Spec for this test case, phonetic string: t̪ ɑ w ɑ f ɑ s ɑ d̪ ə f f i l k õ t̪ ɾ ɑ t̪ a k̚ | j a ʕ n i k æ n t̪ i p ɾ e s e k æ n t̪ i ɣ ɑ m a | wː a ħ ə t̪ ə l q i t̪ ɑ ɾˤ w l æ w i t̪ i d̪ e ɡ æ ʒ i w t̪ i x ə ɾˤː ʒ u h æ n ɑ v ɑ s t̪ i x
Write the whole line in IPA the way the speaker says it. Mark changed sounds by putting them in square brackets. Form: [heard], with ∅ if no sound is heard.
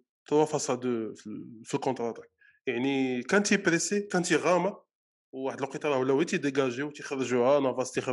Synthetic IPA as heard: t̪ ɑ w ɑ f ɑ s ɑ d̪ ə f f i l k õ t̪ ɾ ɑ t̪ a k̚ | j a ʕ n i k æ n t̪ i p ɾ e s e k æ n t̪ i ɣ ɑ m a | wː a ħ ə [d̪] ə l q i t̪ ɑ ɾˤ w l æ w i t̪ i d̪ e ɡ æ ʒ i w t̪ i x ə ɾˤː ʒ u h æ n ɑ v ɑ s t̪ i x